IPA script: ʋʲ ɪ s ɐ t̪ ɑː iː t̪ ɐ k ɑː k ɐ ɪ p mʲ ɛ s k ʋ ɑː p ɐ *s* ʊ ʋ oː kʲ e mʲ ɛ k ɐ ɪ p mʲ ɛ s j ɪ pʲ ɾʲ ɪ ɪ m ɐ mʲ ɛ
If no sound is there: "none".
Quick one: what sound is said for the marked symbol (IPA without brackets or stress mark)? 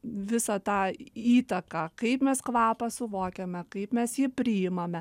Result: s